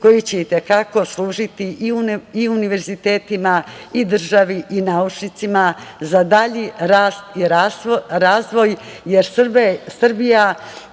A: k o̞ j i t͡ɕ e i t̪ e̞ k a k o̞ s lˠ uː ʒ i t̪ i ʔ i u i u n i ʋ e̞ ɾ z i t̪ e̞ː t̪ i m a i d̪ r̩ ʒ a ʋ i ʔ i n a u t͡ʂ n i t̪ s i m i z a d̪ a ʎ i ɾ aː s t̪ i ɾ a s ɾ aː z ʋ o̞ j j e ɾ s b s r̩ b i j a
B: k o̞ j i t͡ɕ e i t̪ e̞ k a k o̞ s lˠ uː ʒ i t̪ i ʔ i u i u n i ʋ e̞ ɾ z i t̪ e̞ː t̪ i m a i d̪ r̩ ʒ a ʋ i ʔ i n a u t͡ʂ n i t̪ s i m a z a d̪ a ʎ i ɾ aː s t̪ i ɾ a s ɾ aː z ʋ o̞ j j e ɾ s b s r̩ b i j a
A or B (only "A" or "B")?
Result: B